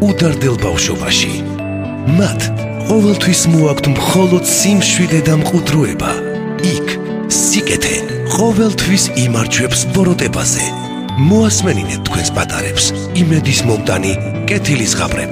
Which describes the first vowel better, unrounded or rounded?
rounded